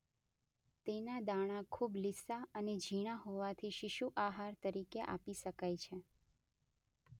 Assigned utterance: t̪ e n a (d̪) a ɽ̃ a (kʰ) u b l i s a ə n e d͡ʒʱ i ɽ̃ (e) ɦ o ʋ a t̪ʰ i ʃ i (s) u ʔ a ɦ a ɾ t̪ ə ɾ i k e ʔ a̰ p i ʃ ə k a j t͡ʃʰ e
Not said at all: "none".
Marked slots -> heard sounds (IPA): d̪, kʰ, a, ʃ

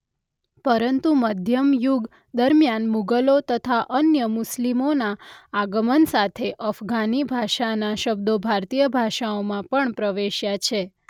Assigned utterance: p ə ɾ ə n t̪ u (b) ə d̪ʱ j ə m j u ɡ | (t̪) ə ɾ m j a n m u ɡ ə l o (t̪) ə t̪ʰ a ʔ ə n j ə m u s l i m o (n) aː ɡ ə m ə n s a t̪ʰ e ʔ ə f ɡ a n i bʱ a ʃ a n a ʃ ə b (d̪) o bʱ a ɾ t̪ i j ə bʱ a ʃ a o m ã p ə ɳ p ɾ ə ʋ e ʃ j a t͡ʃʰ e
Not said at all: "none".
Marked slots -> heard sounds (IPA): m, d̪, t̪, n, d̪

